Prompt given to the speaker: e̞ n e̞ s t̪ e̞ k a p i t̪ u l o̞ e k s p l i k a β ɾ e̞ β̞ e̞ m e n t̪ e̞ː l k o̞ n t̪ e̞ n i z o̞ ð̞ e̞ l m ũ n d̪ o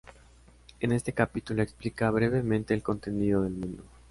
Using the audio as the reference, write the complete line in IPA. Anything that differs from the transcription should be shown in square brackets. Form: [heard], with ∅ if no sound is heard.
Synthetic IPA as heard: e̞ n e̞ s t̪ e̞ k a p i t̪ u l o̞ e k s p l i k a β ɾ e̞ β̞ e̞ m [ẽ] n t̪ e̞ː l k o̞ n t̪ e̞ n i [ð] o̞ ð̞ e̞ l m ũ n d̪ o